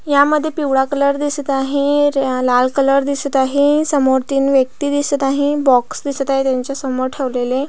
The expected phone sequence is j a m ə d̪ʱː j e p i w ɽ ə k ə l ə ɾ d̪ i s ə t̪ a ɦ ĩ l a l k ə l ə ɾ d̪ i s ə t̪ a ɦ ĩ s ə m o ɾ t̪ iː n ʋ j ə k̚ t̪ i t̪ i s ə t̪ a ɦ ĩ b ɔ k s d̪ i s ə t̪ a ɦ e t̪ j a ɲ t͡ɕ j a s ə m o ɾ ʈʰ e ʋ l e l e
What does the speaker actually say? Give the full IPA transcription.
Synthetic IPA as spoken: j a m ə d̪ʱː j e p i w ɽ a k ə l ə ɾ d̪ i s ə t̪ a ɦ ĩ l a l k ə l ə ɾ d̪ i s ə t̪ a ɦ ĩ s ə m o ɾ t̪ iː n ʋ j ə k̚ t̪ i d̪ i s ə t̪ a ɦ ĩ b ɔ k s d̪ i s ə t̪ a ɦ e t̪ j a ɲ t͡ɕ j a s ə m o ɾ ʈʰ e ʋ l e l e